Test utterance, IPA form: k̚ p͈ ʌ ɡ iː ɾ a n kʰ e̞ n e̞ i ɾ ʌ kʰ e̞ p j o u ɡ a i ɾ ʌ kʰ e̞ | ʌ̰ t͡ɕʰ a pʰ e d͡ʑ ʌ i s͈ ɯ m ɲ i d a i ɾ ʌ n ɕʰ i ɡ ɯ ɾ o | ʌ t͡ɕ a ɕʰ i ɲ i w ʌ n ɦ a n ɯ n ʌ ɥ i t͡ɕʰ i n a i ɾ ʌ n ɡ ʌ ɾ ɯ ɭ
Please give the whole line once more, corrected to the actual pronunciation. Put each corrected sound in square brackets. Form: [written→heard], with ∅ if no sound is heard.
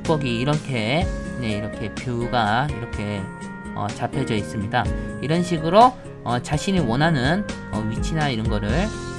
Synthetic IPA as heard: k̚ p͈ ʌ ɡ iː ɾ [a→ʌ] n kʰ e̞ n e̞ i ɾ ʌ kʰ e̞ p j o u ɡ a i ɾ ʌ kʰ e̞ | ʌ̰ [t͡ɕʰ→t͡ɕ] a pʰ e d͡ʑ ʌ i s͈ ɯ m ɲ i d a i ɾ ʌ n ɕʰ i ɡ ɯ ɾ o | ʌ t͡ɕ a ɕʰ i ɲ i w ʌ n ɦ a n ɯ n ʌ ɥ i t͡ɕʰ i n a i ɾ ʌ n ɡ ʌ ɾ ɯ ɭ